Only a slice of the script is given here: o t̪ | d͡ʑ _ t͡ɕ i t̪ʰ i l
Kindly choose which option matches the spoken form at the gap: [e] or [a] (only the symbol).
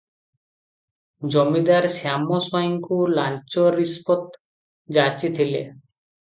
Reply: a